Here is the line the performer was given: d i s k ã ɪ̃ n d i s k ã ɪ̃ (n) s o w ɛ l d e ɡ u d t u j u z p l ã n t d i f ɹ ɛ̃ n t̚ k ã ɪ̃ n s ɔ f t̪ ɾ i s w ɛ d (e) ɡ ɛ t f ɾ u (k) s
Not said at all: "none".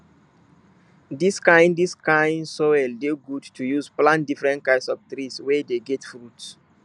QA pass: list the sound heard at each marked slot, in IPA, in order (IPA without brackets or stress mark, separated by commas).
n, e, t